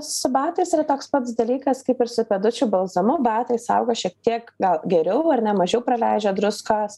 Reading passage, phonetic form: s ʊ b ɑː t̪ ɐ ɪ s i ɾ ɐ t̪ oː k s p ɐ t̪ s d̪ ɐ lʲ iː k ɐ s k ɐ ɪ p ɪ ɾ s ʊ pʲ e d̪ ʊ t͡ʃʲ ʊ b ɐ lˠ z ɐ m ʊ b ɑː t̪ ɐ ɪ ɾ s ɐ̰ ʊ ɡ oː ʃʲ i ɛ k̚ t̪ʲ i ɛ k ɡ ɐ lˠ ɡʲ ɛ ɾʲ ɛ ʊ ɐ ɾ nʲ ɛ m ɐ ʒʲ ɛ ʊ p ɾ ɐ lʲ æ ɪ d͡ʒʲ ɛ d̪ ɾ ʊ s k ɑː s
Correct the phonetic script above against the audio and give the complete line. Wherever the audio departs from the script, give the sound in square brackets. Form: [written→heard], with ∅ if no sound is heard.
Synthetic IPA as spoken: s ʊ b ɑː t̪ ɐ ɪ s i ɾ ɐ t̪ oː k s p ɐ t̪ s d̪ ɐ lʲ iː k ɐ s k ɐ ɪ p ɪ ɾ s ʊ pʲ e d̪ ʊ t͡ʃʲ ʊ b ɐ lˠ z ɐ m ʊ b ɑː t̪ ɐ ɪ [ɾ→∅] s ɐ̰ ʊ ɡ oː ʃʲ i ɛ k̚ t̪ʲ i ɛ k ɡ ɐ lˠ ɡʲ ɛ ɾʲ ɛ ʊ ɐ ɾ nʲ ɛ m ɐ ʒʲ ɛ ʊ p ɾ ɐ lʲ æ ɪ d͡ʒʲ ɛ d̪ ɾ ʊ s k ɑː s